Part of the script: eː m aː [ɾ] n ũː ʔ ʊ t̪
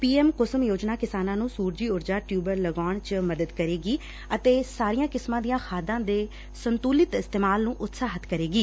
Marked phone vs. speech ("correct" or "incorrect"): incorrect